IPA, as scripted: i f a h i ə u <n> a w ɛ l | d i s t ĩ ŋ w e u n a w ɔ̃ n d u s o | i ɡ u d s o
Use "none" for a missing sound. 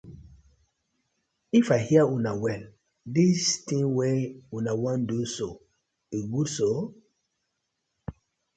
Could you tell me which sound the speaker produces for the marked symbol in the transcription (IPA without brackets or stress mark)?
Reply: n